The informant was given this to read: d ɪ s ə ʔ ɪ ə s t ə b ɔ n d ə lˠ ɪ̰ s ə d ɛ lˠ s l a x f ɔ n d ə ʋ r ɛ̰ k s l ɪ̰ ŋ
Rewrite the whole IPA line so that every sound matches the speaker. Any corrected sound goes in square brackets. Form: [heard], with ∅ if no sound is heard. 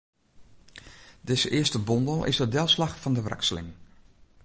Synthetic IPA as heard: d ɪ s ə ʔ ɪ ə s t ə b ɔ n d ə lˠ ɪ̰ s ə d ɛ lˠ s l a x f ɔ n d ə ʋ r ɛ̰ k s l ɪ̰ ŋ